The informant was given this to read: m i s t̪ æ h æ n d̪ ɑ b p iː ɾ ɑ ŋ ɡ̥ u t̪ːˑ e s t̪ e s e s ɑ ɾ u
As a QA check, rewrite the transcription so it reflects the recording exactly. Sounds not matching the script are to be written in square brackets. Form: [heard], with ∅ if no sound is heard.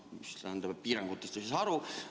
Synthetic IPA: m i s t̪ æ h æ n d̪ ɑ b p iː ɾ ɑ ŋ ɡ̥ u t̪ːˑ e s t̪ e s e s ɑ ɾ u